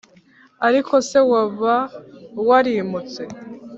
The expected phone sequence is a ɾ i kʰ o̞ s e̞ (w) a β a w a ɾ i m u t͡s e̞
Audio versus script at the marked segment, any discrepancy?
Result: no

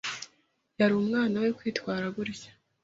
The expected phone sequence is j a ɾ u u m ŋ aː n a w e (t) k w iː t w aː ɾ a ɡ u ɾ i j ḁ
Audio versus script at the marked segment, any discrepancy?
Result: yes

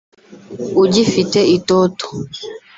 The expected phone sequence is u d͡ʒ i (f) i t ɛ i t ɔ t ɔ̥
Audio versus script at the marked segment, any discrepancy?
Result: no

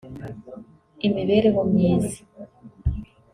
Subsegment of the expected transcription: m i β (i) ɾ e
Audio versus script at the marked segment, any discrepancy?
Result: yes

